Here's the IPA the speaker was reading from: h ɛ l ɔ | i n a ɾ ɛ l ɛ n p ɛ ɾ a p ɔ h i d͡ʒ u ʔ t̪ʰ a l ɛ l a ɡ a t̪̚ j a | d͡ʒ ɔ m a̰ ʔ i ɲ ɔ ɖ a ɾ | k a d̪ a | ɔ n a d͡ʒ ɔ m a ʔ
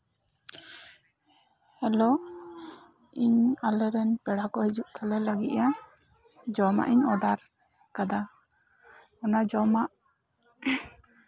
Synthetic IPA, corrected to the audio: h ɛ l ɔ | i ɲ a l ɛ ɾ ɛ n p ɛ ɽ a k ɔ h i d͡ʒ u ʔ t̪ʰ a l ɛ l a ɡ i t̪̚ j a | d͡ʒ ɔ m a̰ ʔ i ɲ ɔ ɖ a ɾ | k a d̪ a | ɔ n a d͡ʒ ɔ m a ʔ

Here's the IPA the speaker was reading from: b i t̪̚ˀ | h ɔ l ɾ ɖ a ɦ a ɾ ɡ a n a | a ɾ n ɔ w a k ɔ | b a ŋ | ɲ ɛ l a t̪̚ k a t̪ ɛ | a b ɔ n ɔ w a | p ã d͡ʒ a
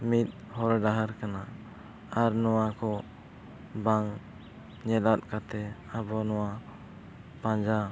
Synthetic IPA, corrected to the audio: m i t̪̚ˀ | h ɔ ɾ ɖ a ɦ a ɾ k a n a | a ɾ n ɔ w a k ɔ | b a ŋ | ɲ ɛ l a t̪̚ k a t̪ ɛ | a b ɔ n ɔ w a | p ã d͡ʒ a

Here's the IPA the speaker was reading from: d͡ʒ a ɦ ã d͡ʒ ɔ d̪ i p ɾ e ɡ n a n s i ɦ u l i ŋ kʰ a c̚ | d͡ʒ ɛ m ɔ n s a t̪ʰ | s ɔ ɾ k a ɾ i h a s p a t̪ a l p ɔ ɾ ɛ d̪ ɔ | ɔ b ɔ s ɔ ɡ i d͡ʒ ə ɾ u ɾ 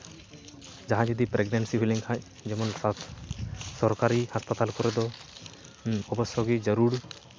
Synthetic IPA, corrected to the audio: d͡ʒ a ɦ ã d͡ʒ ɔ d̪ i p ɾ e ɡ n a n s i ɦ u l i ŋ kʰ a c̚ | d͡ʒ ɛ m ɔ n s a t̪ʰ | s ɔ ɾ k a ɾ i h a s p a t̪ a l k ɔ ɾ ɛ d̪ ɔ | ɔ b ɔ s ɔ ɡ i d͡ʒ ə ɾ u ɾ

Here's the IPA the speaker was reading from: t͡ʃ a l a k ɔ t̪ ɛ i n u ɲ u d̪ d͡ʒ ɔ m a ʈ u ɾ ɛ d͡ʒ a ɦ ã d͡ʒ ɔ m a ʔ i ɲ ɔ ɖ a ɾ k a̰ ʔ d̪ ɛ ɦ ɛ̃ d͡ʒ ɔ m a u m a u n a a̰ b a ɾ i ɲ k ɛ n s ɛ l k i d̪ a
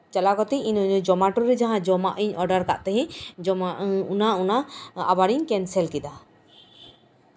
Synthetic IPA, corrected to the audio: t͡ʃ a l a k ɔ t̪ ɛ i n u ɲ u d͡ʒ ɔ m a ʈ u ɾ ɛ d͡ʒ a ɦ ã d͡ʒ ɔ m a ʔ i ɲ ɔ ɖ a ɾ k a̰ ʔ t̪ ɛ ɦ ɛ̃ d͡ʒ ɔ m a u n a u n a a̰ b a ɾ i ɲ k ɛ n s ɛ l k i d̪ a

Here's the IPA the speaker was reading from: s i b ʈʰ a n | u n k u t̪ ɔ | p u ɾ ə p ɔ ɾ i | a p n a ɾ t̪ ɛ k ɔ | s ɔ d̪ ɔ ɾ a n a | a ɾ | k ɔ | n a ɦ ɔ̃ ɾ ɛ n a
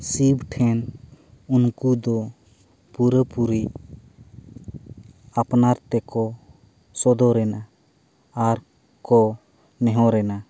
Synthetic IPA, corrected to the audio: s i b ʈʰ ɛ n | u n k u d̪ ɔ | p u ɾ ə p u ɾ i | a p n a ɾ t̪ ɛ k ɔ | s ɔ d̪ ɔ ɾ ɛ n a | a ɾ | k ɔ | n ɛ ɦ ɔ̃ ɾ ɛ n a

